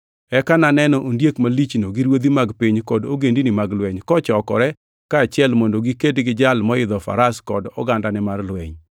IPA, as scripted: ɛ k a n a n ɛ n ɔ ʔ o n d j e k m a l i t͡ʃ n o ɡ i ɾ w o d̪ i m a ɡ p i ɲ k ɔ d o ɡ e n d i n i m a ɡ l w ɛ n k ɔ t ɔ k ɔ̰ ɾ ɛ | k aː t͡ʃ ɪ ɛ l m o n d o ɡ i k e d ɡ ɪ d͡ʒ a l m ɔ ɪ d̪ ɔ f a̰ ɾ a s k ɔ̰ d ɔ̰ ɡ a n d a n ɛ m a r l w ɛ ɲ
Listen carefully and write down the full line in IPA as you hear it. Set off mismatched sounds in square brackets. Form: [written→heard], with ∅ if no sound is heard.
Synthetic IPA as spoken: ɛ k a n a n ɛ n ɔ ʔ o n d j e k m a l i t͡ʃ n o ɡ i ɾ w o d̪ i m a ɡ p i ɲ k ɔ d o ɡ e n d i n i m a ɡ l w ɛ [n→ɲ] k ɔ [t→t͡ʃ] ɔ k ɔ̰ ɾ ɛ | k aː t͡ʃ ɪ ɛ l m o n d o ɡ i k e d ɡ ɪ d͡ʒ a l m ɔ ɪ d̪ ɔ f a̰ ɾ a s k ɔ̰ d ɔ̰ ɡ a n d a n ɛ m a r l w ɛ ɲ